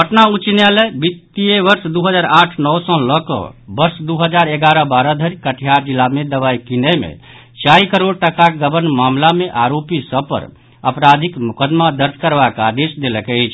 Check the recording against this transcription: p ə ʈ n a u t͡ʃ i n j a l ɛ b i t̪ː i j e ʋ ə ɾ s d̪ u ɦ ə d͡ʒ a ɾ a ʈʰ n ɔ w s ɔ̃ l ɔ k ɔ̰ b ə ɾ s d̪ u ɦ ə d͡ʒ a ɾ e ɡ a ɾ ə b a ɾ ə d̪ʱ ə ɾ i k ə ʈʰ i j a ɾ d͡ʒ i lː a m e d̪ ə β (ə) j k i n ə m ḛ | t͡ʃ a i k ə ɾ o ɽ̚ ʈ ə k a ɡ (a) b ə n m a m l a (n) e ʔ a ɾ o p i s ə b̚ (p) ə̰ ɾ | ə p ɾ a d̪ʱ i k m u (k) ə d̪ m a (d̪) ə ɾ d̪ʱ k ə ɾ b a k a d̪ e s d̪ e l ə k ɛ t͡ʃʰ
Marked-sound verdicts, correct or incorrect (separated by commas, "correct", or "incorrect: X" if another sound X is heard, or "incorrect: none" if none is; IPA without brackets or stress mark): incorrect: a, incorrect: ə, incorrect: m, correct, correct, correct